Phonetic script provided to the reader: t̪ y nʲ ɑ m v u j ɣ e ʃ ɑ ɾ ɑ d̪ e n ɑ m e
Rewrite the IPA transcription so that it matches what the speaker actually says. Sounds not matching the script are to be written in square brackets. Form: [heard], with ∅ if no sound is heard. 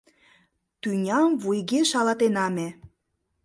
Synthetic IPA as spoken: t̪ y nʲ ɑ m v u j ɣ e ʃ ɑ [l] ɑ [t̪] e n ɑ m e